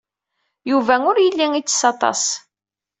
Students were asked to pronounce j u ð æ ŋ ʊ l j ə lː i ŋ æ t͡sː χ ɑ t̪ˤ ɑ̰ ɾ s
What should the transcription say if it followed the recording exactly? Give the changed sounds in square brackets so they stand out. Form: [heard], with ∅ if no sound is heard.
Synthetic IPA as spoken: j u [v] æ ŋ ʊ [ɾ] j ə lː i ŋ [i] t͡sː [s] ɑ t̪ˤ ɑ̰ [∅] s